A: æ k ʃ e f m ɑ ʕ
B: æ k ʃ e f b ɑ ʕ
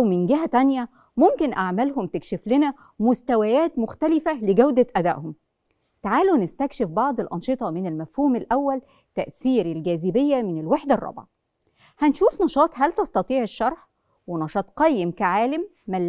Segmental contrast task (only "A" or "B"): B